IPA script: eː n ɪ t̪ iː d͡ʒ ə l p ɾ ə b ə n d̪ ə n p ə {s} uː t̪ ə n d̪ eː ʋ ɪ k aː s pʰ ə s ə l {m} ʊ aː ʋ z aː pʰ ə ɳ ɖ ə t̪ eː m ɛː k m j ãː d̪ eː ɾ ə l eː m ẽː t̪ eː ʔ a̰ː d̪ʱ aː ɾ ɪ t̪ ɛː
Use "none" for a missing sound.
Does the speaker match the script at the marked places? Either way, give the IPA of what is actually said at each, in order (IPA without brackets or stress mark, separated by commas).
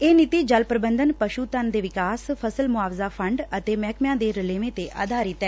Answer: ʃ, m